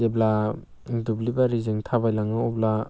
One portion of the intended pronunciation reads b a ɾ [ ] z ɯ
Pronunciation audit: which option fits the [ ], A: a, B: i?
B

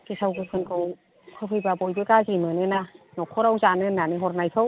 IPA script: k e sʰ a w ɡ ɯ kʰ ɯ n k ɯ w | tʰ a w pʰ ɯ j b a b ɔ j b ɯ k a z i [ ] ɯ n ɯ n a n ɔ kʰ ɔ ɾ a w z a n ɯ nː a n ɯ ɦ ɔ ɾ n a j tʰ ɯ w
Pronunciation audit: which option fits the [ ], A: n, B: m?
B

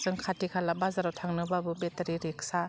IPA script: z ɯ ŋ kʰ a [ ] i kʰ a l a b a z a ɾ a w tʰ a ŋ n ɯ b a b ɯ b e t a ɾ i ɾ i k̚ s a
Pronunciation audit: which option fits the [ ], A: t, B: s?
A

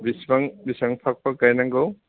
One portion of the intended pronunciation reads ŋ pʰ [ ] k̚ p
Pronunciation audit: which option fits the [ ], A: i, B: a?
B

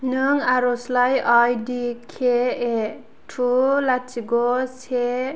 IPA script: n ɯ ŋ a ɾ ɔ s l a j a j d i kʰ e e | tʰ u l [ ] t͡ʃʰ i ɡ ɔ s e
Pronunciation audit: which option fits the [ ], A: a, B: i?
A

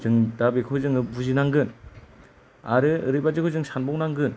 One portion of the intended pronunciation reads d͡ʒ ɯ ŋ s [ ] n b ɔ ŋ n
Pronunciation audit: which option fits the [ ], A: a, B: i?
A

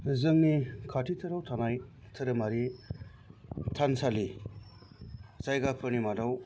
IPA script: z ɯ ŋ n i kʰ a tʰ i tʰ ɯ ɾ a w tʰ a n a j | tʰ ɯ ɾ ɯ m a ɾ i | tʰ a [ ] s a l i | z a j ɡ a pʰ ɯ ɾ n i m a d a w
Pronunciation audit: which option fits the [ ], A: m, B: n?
B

